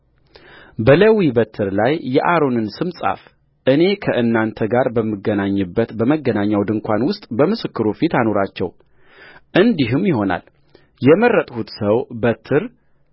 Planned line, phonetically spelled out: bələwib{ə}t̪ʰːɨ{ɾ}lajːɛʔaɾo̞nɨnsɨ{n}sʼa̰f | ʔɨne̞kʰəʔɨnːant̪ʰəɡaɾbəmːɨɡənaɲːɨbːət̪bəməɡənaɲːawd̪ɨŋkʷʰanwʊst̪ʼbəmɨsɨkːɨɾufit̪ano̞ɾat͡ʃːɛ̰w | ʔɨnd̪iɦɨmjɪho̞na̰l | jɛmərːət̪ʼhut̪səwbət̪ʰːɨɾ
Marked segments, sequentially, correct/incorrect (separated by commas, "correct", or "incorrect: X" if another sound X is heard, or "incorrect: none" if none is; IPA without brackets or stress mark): correct, correct, incorrect: m